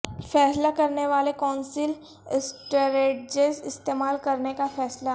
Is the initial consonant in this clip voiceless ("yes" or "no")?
yes